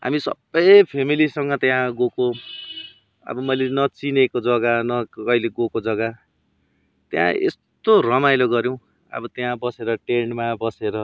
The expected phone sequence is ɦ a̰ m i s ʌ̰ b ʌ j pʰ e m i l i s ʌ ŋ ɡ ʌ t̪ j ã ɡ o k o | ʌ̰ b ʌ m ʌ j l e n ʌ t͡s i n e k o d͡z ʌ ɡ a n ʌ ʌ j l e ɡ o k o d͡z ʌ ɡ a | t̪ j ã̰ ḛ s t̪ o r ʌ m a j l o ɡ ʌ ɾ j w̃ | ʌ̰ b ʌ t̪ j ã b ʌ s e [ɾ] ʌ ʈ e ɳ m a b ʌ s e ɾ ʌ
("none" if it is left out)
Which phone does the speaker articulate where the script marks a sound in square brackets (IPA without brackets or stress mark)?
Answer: ɾ